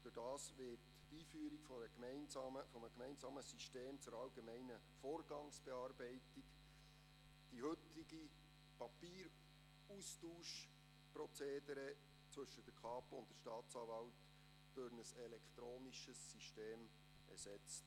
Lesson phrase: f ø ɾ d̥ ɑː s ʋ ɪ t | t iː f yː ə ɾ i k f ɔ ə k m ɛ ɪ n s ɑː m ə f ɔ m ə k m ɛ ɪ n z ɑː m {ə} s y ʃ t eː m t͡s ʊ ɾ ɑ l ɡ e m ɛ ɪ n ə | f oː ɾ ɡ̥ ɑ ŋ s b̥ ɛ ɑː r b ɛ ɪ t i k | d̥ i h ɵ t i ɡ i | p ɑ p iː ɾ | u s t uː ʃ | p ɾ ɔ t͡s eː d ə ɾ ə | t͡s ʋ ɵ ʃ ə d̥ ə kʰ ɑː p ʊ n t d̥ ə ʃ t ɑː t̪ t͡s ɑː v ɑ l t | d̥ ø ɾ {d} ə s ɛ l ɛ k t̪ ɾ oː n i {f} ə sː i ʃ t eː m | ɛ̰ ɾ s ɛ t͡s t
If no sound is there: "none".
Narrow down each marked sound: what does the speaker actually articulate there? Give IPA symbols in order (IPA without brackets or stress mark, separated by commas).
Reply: ə, n, ʃ